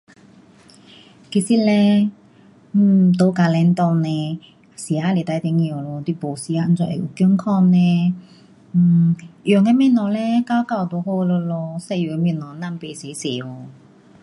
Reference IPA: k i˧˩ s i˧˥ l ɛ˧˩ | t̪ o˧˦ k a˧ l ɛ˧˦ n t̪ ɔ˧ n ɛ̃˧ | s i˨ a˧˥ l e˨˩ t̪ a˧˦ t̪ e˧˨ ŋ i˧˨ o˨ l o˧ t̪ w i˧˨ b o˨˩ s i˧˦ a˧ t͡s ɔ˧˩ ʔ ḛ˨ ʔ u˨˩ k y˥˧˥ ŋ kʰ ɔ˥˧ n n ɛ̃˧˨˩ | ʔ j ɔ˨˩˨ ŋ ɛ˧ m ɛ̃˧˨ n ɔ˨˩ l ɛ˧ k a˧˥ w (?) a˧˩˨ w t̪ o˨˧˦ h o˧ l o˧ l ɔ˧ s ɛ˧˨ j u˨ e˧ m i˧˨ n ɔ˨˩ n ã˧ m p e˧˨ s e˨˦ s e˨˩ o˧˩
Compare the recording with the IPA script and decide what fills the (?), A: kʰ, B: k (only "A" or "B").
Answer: B